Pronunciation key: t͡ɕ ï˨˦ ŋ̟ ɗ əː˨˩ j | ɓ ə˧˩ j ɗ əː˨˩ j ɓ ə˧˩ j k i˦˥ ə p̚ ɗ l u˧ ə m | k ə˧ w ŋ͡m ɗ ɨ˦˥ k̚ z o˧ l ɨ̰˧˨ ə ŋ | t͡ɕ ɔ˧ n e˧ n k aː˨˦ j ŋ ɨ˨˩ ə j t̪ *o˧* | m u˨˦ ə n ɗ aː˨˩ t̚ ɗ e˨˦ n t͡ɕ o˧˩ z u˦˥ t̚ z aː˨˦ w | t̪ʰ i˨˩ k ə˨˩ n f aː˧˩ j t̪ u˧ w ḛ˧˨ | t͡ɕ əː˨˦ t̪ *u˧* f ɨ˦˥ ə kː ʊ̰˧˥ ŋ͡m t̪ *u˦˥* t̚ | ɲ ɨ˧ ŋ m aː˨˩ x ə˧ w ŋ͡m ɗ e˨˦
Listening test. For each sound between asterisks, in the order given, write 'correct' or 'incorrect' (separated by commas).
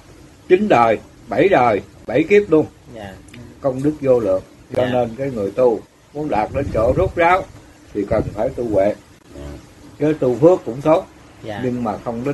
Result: incorrect, correct, incorrect